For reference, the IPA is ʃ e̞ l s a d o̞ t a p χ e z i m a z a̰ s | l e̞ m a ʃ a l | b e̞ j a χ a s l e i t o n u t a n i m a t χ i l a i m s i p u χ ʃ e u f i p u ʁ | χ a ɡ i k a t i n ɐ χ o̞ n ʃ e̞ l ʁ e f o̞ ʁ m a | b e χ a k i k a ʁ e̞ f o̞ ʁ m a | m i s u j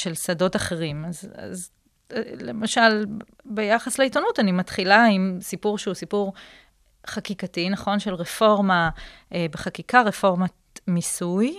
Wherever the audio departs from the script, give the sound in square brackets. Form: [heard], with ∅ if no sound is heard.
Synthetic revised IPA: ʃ e̞ l s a d o̞ t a [∅] χ e [ʁ] i m a z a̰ [z] | l e̞ m a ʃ a l | b e̞ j a χ a s l e i t o n u t a n i m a t χ i l a i m s i p u [ʁ] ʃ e u [s] i p u ʁ | χ a [k] i k a t i n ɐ χ o̞ n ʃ e̞ l ʁ e f o̞ ʁ m a | b e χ a k i k a ʁ e̞ f o̞ ʁ m a | m i s u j